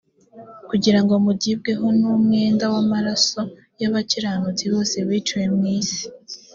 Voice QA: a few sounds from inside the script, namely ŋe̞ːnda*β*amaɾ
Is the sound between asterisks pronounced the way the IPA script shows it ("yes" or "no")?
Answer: no